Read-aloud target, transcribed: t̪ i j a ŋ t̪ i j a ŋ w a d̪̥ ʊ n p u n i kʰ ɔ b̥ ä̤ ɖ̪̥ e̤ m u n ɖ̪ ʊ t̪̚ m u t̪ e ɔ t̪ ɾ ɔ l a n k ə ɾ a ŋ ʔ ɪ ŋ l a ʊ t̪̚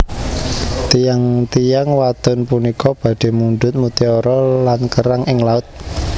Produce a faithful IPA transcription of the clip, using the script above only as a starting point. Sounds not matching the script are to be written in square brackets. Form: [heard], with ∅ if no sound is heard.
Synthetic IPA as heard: t̪ i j a ŋ t̪ i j a ŋ w a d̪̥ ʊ n p u n i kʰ ɔ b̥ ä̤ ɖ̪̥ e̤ m u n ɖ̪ ʊ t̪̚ m u t̪ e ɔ [∅] ɾ ɔ l a n k ə ɾ a ŋ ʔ ɪ ŋ l a ʊ t̪̚